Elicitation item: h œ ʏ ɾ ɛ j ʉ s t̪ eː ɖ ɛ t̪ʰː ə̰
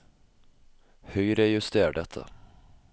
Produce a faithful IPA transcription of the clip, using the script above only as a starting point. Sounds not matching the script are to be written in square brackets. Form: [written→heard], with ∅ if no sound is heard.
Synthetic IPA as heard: h œ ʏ ɾ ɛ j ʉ s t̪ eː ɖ ɛ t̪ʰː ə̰